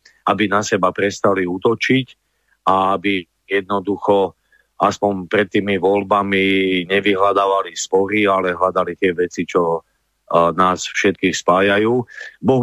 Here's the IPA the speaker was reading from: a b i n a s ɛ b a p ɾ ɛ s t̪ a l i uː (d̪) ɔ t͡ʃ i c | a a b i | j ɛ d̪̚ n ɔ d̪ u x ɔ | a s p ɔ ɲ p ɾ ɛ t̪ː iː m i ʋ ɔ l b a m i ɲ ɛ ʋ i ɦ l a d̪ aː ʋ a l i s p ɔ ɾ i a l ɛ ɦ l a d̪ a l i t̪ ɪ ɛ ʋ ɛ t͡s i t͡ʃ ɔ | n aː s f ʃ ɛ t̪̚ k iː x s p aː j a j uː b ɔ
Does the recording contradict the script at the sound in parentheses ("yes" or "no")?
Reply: yes